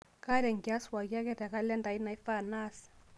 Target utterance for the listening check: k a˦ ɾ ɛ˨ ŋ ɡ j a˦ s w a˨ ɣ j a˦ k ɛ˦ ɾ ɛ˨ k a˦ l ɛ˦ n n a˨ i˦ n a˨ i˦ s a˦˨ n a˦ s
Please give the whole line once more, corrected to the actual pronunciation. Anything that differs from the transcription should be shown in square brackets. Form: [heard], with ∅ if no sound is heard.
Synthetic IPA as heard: k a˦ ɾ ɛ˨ ŋ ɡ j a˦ s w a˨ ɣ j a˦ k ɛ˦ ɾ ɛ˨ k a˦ l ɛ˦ n [d] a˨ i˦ n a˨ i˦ [f] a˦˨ n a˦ s